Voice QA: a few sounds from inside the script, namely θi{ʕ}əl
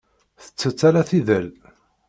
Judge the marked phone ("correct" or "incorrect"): incorrect